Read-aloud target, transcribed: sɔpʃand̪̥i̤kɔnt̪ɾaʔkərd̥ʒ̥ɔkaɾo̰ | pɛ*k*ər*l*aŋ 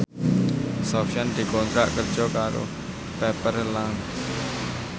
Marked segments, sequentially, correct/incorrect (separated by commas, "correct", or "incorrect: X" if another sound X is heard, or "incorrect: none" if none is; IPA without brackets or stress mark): incorrect: p, correct